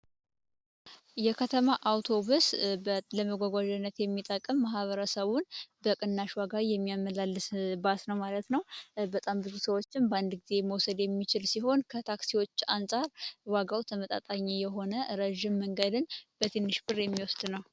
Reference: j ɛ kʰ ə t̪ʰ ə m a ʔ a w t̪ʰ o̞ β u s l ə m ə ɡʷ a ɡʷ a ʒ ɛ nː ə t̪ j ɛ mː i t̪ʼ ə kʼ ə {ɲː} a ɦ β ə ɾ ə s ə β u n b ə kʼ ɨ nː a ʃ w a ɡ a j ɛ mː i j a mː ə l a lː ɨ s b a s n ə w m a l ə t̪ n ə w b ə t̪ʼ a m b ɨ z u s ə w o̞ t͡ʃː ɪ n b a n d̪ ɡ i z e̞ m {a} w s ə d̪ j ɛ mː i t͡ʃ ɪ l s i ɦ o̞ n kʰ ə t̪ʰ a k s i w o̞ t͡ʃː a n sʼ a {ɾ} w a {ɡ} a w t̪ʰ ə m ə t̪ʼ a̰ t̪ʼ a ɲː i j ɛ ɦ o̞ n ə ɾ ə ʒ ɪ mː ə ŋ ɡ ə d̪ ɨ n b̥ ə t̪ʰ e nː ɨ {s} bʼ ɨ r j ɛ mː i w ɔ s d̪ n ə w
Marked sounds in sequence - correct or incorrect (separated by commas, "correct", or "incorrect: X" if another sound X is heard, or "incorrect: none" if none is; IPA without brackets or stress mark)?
incorrect: mː, incorrect: ə, correct, correct, incorrect: ʃ